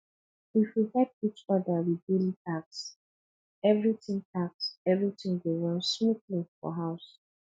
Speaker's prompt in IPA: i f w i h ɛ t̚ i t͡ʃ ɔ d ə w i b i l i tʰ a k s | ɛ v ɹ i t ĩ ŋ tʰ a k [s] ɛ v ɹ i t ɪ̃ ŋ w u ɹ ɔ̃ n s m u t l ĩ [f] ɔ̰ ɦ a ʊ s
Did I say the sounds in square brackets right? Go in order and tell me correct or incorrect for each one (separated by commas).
correct, correct